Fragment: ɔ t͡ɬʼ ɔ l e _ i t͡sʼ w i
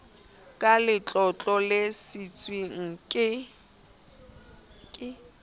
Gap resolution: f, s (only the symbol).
s